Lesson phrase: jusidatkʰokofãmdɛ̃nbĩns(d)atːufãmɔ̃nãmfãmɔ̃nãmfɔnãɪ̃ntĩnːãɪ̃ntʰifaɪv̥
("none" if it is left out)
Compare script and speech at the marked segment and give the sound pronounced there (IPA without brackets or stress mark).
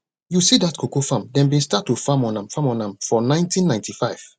t